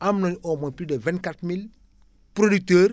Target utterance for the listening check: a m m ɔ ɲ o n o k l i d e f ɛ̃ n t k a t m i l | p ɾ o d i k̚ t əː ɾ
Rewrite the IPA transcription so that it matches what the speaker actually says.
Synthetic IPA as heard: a m n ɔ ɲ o m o p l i d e v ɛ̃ n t k a t m i l | p ɾ o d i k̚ t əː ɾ